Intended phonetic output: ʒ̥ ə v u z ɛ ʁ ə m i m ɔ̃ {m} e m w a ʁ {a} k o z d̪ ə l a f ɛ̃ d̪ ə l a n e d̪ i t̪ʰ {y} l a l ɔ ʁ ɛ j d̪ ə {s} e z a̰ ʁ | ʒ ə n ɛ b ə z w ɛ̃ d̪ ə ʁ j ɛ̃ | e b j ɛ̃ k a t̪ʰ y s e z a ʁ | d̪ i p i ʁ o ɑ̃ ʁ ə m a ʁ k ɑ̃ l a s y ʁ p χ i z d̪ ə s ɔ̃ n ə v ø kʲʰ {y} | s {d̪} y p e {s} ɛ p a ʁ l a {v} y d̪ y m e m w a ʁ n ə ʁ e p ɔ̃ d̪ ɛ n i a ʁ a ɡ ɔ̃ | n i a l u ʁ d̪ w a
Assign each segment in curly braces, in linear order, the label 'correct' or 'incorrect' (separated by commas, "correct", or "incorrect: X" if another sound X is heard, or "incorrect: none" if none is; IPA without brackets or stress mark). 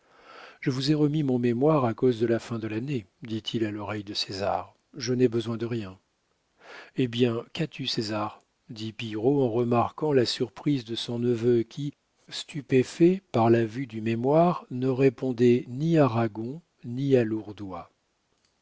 correct, correct, incorrect: i, correct, incorrect: i, incorrect: t̪, incorrect: f, correct